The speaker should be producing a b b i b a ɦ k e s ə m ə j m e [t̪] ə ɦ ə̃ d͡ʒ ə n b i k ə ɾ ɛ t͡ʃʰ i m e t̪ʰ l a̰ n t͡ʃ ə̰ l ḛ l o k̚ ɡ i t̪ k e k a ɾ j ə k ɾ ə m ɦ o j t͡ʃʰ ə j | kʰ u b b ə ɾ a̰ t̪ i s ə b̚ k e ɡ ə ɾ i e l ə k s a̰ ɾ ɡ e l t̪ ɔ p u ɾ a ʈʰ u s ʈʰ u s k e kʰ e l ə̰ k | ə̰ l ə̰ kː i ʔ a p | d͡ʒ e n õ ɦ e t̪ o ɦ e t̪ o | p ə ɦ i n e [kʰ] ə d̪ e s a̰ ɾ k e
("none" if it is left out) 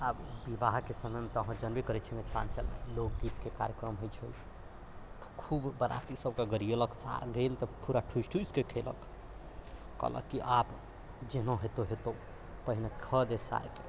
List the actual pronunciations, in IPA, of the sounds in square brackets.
t̪, kʰ

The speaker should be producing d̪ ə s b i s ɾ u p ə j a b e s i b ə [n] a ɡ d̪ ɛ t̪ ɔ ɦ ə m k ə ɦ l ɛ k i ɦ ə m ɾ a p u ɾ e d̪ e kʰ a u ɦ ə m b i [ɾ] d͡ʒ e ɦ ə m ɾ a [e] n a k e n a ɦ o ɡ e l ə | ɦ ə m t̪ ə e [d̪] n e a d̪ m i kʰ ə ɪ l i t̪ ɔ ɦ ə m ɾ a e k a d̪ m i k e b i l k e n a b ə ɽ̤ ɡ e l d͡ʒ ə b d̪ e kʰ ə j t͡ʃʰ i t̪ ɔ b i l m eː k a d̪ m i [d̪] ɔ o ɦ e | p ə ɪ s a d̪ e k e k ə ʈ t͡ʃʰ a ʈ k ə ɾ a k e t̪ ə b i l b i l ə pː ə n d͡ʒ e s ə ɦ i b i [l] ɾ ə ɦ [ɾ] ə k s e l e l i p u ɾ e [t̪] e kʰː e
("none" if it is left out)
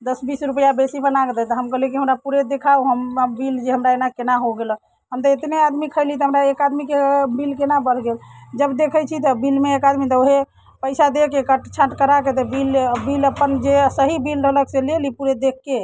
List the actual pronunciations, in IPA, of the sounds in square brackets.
n, l, e, t̪, t̪, l, l, d̪

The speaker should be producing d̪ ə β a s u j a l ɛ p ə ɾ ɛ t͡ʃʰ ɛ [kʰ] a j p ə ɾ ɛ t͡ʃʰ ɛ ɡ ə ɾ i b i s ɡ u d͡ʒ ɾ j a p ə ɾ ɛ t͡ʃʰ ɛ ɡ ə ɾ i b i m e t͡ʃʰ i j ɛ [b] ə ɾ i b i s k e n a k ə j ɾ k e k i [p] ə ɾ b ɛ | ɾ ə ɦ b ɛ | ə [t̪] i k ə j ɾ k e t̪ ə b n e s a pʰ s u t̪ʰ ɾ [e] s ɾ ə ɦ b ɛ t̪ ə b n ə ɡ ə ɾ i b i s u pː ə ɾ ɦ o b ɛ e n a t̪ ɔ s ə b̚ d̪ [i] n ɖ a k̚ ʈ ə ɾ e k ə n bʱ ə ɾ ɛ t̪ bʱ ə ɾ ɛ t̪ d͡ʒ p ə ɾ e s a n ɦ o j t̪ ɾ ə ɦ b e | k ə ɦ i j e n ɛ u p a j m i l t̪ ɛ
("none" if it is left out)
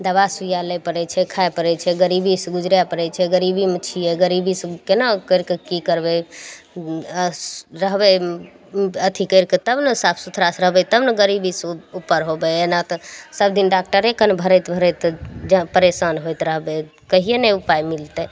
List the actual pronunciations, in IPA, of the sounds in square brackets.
kʰ, ɡ, k, t̪ʰ, a, i

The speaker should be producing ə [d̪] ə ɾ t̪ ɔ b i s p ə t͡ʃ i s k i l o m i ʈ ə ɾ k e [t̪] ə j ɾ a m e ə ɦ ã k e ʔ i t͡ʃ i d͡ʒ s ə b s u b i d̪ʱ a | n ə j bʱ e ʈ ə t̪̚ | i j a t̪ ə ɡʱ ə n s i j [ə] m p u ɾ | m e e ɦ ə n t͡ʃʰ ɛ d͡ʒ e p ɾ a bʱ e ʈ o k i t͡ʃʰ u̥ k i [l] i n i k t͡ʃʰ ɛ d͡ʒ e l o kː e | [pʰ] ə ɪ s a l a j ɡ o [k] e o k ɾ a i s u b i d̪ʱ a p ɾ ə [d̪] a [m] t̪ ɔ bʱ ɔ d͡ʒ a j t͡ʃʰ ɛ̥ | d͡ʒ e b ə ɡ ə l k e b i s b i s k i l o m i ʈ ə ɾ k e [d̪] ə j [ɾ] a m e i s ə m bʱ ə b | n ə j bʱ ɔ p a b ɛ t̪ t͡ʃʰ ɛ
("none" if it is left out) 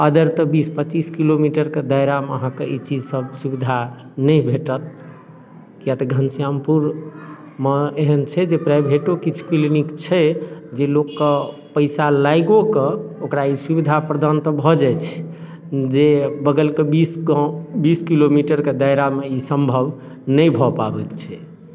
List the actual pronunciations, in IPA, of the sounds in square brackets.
d̪, d̪, a, l, p, k, d̪, n, d̪, ɾ

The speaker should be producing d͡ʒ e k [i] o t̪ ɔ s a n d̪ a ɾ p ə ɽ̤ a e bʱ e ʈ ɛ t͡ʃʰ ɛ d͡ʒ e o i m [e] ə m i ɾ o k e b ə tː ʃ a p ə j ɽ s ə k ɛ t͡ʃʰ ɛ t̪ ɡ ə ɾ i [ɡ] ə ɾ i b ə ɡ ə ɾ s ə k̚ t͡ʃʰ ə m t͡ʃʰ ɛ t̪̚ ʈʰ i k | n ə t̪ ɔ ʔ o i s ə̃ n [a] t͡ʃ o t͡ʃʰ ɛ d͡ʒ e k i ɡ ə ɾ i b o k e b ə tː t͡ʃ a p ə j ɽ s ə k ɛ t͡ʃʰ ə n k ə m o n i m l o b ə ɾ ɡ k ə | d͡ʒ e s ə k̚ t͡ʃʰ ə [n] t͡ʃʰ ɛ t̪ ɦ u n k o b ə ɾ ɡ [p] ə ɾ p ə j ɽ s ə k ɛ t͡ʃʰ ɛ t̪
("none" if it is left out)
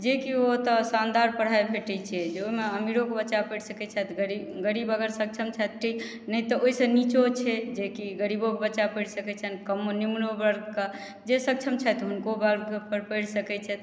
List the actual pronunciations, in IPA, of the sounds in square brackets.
i, e, ɡ, i, m, p

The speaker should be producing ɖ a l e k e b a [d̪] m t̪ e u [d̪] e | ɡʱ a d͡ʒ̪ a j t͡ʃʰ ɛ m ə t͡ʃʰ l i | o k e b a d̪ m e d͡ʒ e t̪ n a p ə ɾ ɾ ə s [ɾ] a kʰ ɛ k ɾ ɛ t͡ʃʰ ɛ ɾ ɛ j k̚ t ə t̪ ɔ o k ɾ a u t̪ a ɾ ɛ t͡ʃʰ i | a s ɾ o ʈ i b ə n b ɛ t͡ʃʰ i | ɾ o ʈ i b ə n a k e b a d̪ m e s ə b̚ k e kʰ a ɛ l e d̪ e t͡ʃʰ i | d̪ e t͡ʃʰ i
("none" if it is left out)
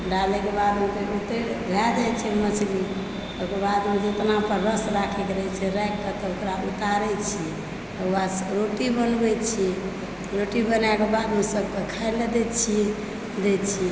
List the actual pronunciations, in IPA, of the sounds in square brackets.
d̪, t̪, ɾ

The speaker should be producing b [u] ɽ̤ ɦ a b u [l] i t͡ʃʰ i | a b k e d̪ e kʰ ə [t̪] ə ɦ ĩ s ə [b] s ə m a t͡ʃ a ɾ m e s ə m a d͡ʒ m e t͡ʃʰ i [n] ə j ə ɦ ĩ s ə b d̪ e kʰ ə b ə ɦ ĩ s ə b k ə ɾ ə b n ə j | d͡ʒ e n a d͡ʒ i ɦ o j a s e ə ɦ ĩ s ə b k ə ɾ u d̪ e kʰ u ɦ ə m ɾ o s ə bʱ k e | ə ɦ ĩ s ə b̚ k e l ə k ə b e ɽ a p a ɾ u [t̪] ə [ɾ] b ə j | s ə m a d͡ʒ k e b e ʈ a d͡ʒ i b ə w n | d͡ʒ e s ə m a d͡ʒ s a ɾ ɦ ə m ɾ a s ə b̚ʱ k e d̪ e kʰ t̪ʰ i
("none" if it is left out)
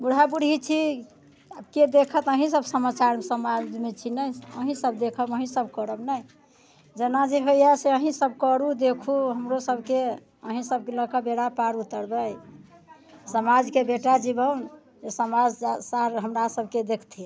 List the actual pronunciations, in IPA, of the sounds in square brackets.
u, ɽ, t̪, b, n, t̪, ɾ

